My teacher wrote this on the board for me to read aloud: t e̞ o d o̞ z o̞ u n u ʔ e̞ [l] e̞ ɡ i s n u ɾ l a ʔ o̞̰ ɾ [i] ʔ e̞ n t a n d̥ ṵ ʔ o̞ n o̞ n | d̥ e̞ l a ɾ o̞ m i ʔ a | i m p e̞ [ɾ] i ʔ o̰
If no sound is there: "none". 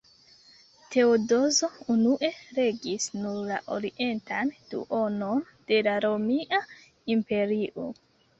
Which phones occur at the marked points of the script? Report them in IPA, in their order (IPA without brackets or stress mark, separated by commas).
ɾ, i, ɾ